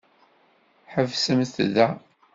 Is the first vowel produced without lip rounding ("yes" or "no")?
yes